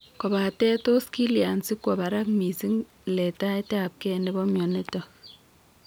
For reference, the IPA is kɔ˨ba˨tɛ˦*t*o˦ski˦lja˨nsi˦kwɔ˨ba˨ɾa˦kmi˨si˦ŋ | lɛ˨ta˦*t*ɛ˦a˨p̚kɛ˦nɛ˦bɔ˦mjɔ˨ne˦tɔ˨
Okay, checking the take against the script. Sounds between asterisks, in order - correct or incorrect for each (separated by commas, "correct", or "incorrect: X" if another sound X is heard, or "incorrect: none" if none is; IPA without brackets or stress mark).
correct, correct